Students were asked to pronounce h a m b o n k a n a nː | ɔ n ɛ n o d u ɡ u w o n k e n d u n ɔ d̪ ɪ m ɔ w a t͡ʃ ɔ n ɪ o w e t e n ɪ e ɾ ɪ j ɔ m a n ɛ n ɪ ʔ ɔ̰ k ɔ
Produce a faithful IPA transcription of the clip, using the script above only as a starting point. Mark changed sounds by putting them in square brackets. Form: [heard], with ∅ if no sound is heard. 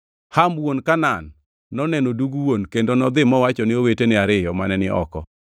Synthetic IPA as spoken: h a m [w] o n k a n a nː | ɔ n ɛ n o d u ɡ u w o n k e n d [o] n ɔ d̪ ɪ m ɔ w a t͡ʃ ɔ n ɪ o w e t e n ɪ [a] ɾ ɪ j ɔ m a n ɛ n ɪ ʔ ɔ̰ k ɔ